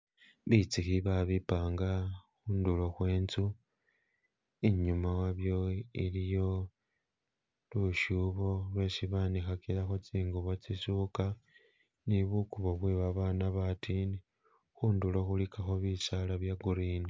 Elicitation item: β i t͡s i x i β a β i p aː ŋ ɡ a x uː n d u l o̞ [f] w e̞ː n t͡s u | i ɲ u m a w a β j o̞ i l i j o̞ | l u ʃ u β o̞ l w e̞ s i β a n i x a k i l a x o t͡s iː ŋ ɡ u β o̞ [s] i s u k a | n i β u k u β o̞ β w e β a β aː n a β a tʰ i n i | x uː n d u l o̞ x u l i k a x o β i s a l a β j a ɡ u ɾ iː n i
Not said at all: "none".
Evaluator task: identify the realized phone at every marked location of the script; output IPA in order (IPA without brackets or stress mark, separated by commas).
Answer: x, t͡s